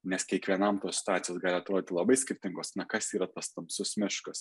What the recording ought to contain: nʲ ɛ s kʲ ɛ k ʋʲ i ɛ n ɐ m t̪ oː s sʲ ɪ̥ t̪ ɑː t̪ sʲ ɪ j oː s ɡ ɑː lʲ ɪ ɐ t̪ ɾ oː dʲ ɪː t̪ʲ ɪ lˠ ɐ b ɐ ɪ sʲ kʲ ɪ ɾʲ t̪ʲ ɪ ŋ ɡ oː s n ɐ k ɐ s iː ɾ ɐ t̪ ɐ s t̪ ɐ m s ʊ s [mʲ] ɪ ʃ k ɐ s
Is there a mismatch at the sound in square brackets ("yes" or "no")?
no